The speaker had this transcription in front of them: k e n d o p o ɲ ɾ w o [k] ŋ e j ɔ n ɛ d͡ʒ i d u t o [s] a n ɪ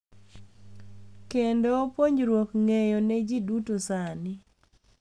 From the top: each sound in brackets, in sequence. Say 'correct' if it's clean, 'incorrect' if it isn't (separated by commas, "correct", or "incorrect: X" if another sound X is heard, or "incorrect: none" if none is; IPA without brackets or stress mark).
correct, correct